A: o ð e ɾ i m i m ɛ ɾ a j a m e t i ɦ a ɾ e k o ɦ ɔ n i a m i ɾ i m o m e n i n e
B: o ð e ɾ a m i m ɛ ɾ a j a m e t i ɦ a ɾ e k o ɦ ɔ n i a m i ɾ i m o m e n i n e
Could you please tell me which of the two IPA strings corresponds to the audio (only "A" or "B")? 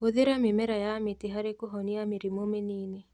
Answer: B